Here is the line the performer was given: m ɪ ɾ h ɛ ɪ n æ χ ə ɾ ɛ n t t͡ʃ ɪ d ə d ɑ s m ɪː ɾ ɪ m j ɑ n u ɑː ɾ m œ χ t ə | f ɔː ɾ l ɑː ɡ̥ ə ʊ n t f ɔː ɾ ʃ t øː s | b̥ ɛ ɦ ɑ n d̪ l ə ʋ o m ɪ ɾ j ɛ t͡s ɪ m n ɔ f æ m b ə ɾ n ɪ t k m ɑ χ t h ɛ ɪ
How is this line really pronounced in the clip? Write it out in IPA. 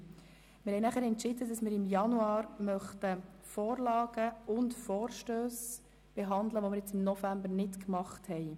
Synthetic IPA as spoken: m ɪ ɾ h ɛ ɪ n æ χ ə ɾ ɛ n t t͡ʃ ɪ d ə d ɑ s m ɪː ɾ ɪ m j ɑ n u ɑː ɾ m œ χ t ə | f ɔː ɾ l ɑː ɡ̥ ə ʊ n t f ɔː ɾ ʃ t øː s | b̥ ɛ ɦ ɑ n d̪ l ə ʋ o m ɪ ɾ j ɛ t͡s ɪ m n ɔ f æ m b ə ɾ n ɪ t k m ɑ χ t h ɛ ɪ